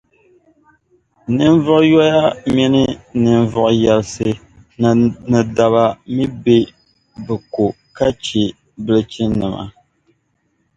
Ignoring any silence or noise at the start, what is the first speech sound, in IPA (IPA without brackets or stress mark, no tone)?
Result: n